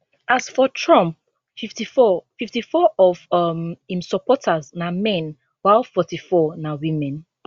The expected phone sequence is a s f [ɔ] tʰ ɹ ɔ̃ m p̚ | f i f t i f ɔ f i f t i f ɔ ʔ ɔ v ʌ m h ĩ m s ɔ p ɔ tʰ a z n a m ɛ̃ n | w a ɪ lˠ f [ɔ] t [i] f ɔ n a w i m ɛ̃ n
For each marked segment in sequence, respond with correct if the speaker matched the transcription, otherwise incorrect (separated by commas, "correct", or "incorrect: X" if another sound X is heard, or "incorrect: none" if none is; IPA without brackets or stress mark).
correct, correct, correct